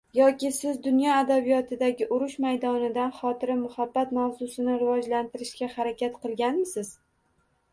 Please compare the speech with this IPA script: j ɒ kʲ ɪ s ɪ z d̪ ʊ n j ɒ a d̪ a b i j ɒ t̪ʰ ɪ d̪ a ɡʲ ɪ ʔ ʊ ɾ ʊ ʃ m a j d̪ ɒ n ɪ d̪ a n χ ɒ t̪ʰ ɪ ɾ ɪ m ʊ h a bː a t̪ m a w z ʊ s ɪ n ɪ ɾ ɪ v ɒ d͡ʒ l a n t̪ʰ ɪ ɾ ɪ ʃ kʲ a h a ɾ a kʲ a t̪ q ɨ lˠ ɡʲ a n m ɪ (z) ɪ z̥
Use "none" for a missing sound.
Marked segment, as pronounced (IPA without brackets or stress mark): s